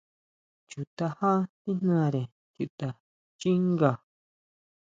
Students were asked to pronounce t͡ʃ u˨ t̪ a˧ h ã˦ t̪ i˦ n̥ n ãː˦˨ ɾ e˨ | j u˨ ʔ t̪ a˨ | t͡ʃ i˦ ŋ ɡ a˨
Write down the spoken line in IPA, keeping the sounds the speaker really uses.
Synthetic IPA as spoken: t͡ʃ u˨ t̪ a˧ h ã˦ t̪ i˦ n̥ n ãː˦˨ ɾ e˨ | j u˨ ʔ t̪ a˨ | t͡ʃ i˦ ŋ ɡ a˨

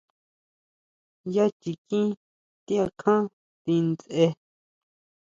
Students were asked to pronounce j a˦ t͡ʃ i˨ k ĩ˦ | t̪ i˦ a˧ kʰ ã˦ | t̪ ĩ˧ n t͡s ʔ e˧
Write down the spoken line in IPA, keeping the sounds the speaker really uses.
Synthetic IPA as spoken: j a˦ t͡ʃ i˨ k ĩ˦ | t̪ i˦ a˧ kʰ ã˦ | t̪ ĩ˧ n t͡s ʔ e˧

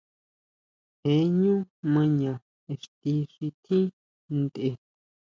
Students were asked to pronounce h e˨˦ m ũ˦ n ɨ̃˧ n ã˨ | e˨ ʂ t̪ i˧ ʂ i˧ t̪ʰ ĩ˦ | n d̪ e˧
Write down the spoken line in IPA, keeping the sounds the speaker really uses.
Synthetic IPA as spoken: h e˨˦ ɲ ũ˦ m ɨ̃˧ ɲ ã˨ | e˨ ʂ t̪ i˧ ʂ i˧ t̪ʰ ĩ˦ | n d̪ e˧

